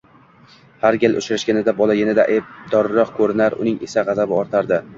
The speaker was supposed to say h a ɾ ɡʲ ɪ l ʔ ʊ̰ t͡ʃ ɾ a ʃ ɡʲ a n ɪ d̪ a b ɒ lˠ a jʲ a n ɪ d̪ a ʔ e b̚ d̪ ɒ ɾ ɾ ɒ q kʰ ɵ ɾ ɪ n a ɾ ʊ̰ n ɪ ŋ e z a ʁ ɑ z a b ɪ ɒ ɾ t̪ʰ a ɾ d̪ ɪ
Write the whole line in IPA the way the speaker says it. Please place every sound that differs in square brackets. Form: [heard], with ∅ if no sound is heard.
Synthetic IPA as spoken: h a ɾ ɡʲ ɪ l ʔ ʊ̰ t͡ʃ ɾ a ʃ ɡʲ a n ɪ d̪ a b ɒ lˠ a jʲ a n ɪ d̪ a ʔ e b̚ d̪ ɒ ɾ ɾ ɒ q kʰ ɵ ɾ ɪ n a ɾ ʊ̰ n ɪ ŋ e [s] a ʁ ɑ z a b ɪ ɒ ɾ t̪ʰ a ɾ d̪ ɪ